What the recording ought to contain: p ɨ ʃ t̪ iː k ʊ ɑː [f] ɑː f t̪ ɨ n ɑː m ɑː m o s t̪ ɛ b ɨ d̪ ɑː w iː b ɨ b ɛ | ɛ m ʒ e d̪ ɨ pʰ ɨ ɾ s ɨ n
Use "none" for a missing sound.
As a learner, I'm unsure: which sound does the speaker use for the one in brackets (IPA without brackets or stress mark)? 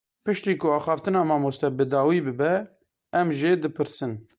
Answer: x